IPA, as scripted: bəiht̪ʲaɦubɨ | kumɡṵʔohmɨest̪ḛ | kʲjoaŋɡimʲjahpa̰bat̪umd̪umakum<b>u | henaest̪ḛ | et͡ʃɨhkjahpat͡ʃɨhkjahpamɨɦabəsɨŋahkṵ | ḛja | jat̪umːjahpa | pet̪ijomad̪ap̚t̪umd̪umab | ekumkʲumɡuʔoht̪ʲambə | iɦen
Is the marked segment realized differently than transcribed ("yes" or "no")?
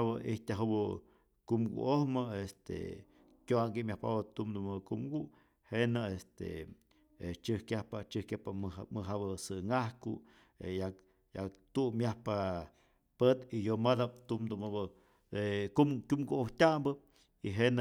yes